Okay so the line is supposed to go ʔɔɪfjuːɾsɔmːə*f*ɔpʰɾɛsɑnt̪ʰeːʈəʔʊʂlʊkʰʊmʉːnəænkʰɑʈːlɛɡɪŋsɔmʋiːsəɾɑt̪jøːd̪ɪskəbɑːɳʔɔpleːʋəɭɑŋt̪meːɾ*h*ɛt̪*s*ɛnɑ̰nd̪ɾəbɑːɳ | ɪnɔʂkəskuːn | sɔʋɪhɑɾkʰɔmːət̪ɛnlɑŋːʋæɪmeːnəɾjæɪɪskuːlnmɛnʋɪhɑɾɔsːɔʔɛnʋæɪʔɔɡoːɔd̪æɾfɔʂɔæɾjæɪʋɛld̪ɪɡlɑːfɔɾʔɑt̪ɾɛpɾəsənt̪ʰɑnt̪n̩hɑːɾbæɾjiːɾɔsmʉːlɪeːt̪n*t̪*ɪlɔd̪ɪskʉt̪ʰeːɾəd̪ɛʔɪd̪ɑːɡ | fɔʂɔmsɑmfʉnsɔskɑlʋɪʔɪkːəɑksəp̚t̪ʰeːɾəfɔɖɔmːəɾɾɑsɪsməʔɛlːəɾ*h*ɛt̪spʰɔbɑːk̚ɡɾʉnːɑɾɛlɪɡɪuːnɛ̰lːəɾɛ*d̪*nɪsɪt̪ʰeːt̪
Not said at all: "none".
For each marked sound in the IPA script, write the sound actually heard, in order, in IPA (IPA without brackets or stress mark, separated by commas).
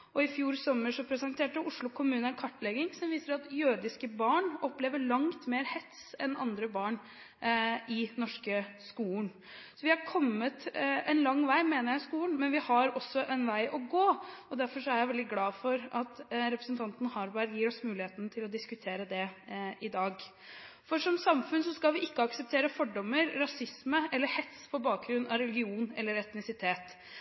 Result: ʂ, h, s, t̪ʰ, h, t̪